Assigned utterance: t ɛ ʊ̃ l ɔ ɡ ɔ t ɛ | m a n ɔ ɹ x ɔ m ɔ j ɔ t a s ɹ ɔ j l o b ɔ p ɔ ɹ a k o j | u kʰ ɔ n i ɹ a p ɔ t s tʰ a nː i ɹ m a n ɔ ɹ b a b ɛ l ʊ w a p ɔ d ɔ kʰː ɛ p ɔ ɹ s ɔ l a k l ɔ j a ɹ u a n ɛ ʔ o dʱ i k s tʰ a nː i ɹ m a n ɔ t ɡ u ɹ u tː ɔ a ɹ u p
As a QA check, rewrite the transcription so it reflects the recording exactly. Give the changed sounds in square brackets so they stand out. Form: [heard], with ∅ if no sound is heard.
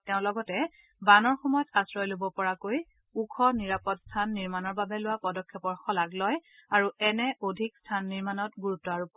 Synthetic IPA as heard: t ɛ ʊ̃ l ɔ ɡ ɔ t ɛ | [b] a n ɔ ɹ x ɔ m ɔ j ɔ t a s ɹ ɔ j l o b ɔ p ɔ ɹ a k o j | u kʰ ɔ n i ɹ a p ɔ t s tʰ a nː i ɹ m a n ɔ ɹ b a b ɛ l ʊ w a p ɔ d ɔ kʰː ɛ p ɔ ɹ [x] ɔ l a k l ɔ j a ɹ u [ɛ] n ɛ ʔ o dʱ i k s tʰ a nː i ɹ m a n ɔ t ɡ u ɹ u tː ɔ a ɹ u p